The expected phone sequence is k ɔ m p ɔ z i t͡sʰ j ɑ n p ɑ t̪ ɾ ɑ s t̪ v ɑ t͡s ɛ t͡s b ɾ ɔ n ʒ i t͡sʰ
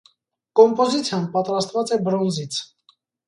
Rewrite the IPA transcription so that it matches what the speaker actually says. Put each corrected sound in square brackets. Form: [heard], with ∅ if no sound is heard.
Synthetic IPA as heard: k ɔ m p ɔ z i t͡sʰ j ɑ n p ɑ t̪ ɾ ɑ s t̪ v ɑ t͡s ɛ [∅] b ɾ ɔ n [z] i t͡sʰ